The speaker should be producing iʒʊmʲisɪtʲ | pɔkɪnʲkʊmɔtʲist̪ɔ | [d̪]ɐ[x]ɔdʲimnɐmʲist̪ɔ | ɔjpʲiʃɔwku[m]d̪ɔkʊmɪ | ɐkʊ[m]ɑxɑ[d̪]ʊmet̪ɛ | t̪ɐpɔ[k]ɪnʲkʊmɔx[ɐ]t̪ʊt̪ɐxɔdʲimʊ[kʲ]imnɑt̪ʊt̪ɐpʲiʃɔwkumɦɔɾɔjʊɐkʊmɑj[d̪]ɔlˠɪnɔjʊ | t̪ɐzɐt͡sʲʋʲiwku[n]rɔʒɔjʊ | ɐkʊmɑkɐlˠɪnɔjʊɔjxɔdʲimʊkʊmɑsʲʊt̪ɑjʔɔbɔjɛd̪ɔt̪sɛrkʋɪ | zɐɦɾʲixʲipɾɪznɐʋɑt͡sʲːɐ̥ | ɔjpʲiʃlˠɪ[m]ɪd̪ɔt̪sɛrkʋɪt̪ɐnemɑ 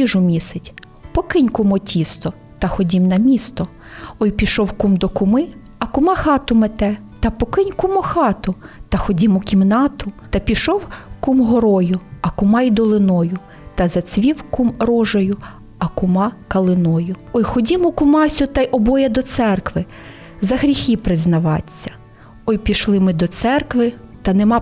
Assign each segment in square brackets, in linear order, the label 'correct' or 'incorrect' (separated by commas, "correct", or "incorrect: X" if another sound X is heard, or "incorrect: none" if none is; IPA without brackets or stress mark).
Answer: incorrect: t̪, correct, correct, correct, incorrect: t̪, correct, incorrect: ɑ, correct, correct, incorrect: m, correct